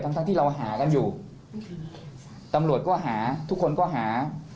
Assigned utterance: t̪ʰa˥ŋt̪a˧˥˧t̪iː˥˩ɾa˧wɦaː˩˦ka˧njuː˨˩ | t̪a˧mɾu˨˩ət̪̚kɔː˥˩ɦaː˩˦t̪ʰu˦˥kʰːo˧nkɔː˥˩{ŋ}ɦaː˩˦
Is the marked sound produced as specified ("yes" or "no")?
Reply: no